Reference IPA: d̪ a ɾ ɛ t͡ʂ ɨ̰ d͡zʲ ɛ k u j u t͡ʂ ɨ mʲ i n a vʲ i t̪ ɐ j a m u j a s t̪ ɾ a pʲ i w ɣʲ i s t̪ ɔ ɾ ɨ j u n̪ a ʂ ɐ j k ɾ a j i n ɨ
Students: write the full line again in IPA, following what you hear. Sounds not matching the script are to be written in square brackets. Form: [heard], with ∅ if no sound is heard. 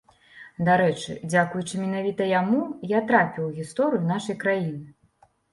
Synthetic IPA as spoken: d̪ a ɾ ɛ t͡ʂ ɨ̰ d͡zʲ [a] k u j u t͡ʂ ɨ mʲ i n a vʲ i t̪ ɐ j a m u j a [∅] t̪ ɾ a pʲ i w ɣʲ i s t̪ ɔ ɾ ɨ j u n̪ a ʂ ɐ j k ɾ a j i n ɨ